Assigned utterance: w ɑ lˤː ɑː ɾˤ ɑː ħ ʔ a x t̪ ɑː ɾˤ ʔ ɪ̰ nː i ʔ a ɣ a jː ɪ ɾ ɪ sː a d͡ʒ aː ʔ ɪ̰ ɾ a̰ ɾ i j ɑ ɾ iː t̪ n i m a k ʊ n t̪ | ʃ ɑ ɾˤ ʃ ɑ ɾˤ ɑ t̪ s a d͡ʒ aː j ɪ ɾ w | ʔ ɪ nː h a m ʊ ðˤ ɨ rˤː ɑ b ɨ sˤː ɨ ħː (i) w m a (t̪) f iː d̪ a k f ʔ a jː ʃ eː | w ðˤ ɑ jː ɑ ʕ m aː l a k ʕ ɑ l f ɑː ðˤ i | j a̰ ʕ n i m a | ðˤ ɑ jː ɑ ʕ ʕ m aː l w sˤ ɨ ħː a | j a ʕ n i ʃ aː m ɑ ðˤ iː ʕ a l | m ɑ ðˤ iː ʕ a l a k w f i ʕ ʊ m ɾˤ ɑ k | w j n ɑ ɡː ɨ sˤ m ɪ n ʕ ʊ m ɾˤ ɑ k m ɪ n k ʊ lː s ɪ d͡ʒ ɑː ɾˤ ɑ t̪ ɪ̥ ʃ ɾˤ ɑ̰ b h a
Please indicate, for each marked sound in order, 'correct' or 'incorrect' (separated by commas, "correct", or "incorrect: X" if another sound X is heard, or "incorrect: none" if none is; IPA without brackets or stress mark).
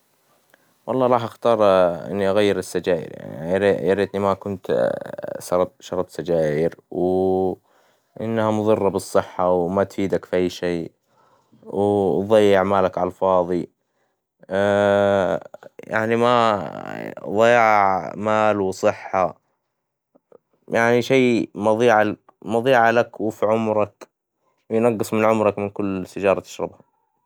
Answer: incorrect: a, correct